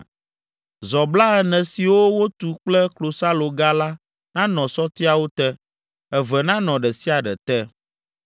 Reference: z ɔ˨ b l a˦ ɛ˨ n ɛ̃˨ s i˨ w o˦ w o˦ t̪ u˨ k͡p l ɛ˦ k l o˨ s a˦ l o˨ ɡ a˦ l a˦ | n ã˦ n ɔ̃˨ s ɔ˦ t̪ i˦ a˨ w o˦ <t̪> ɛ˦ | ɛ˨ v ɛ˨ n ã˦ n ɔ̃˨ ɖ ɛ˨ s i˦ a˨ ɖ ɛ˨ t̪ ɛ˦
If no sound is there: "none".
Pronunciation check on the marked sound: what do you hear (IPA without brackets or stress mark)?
t̪